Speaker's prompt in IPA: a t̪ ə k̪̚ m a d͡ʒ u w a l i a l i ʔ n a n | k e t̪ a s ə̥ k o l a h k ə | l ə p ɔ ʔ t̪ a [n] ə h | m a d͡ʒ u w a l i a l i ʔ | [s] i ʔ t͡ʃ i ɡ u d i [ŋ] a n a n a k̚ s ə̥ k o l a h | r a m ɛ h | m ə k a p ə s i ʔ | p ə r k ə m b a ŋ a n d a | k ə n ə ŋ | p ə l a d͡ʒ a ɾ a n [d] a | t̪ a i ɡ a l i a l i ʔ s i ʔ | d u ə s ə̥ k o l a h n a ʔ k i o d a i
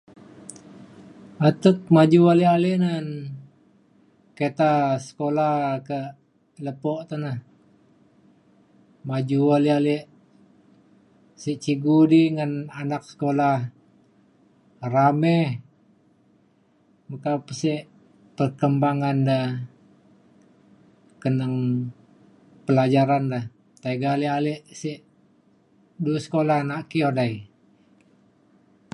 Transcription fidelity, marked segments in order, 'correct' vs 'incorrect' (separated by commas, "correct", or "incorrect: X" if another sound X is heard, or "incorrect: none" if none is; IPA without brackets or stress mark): correct, correct, correct, correct